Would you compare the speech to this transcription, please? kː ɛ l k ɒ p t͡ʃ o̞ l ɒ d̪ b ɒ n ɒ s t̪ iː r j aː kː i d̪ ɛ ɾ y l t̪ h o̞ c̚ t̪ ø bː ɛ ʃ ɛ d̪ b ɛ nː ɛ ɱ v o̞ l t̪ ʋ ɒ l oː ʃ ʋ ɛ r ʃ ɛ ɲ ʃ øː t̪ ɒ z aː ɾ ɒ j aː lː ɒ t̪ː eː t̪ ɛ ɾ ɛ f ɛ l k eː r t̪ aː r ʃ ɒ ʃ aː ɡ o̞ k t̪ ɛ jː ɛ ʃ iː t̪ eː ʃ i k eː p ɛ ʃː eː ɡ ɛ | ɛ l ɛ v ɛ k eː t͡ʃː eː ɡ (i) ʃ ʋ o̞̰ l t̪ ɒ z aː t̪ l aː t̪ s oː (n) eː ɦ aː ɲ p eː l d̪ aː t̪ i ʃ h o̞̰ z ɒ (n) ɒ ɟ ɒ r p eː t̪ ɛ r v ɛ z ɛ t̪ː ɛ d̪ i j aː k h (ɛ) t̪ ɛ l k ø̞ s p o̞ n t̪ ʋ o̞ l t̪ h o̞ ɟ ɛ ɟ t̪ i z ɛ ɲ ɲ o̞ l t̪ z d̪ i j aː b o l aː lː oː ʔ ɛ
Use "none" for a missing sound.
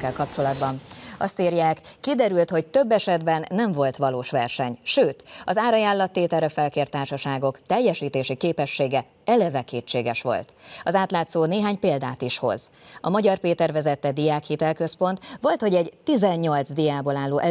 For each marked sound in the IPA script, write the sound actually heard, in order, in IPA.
ɛ, n, m, i

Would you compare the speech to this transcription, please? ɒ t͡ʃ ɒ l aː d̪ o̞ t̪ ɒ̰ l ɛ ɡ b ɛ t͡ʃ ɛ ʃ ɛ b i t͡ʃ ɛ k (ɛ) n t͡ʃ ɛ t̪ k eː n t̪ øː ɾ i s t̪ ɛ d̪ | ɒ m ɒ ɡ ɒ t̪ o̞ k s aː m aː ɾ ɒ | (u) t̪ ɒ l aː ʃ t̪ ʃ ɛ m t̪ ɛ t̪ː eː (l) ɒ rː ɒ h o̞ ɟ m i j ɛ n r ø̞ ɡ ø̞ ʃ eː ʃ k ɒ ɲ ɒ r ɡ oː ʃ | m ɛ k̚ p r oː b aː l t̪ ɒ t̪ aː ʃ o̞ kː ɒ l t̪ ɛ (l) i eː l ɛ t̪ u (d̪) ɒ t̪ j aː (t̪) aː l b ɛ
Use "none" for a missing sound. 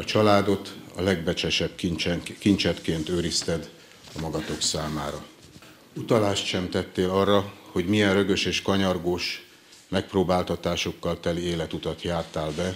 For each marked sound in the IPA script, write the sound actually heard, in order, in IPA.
i, u, l, l, t̪, t̪

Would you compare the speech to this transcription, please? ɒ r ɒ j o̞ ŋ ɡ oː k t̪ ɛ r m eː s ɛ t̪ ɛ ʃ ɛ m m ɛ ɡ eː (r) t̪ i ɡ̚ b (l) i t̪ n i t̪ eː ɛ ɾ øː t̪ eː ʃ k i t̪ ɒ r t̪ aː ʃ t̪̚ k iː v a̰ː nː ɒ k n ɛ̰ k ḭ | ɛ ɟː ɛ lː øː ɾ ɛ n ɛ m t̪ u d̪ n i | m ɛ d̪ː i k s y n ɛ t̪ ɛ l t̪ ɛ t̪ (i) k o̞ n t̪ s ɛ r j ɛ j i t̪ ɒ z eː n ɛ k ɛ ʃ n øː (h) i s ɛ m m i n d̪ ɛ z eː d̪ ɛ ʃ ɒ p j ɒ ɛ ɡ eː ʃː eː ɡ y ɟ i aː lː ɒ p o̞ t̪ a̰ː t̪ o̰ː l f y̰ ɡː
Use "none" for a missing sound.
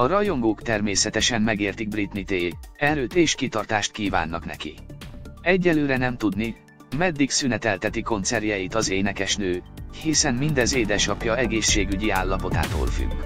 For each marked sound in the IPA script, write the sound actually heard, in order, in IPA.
r, r, i, h

